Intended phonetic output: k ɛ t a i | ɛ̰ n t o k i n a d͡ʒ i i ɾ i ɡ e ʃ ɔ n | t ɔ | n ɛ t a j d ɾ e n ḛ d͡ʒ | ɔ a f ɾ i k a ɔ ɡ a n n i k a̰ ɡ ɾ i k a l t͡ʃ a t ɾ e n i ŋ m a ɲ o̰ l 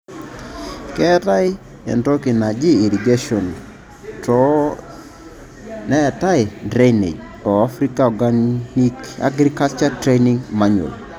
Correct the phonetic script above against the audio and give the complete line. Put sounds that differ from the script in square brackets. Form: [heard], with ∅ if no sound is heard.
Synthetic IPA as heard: k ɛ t a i | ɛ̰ n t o k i n a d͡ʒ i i ɾ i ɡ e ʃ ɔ n | t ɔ | n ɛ t a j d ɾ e n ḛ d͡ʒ | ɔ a f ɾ i k a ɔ ɡ a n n i k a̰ ɡ ɾ i k a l t͡ʃ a t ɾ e n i ŋ m a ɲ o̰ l